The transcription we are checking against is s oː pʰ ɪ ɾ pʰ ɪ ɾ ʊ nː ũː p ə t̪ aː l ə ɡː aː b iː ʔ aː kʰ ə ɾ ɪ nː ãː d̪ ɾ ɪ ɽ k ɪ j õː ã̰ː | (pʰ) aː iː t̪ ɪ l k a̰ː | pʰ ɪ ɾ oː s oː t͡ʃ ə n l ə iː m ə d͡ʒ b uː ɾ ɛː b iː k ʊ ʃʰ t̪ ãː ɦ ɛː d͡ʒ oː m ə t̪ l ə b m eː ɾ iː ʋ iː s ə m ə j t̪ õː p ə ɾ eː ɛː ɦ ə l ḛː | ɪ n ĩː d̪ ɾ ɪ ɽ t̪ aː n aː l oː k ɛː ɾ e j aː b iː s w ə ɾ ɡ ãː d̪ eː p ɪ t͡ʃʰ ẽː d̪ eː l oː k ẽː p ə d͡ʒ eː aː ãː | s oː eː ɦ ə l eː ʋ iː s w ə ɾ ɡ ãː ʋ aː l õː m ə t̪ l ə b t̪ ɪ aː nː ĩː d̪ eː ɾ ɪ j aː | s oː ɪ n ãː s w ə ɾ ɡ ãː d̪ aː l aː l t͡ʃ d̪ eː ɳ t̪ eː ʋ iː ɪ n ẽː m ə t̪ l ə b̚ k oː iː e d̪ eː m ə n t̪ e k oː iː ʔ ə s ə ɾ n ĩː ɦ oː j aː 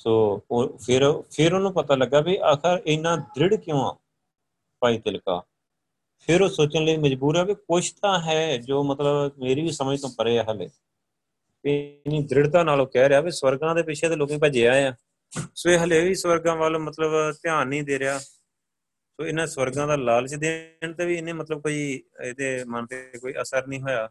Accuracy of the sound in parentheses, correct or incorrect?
incorrect